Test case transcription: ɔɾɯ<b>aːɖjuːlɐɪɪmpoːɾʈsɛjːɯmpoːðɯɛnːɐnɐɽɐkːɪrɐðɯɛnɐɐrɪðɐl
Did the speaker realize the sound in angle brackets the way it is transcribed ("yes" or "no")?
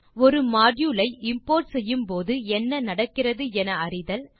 no